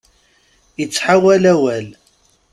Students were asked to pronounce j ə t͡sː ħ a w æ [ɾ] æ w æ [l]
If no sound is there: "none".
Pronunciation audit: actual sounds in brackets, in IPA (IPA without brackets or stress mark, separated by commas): l, l